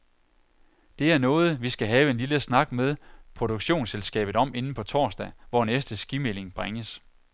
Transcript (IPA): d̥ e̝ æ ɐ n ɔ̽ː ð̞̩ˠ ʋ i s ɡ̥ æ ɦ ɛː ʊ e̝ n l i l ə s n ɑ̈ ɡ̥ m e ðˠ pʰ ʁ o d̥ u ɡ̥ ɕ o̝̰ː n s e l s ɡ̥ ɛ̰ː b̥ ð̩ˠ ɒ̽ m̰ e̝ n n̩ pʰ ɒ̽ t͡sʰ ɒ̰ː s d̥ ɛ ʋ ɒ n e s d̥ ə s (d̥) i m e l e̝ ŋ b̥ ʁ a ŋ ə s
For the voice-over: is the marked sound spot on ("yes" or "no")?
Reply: no